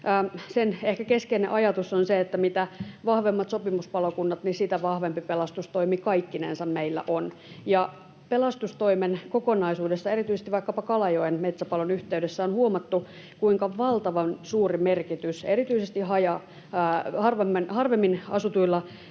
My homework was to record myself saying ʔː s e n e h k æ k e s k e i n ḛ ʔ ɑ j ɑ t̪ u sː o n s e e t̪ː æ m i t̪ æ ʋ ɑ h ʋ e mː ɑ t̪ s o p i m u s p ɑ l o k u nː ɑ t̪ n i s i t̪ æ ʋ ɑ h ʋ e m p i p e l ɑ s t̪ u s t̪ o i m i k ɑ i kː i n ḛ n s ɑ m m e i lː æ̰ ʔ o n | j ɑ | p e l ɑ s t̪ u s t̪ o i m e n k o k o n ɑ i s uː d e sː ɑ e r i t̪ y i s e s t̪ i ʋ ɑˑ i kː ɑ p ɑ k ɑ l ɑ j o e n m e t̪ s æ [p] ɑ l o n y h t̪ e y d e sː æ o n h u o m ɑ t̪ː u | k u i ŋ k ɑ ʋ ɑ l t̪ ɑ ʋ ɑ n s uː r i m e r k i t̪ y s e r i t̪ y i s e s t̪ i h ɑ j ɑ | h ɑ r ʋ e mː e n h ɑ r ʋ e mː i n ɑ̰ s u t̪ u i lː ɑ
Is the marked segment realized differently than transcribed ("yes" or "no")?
no